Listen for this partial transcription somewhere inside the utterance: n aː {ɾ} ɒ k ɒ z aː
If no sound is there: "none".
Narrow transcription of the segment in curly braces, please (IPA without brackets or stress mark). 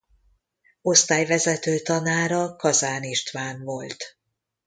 ɾ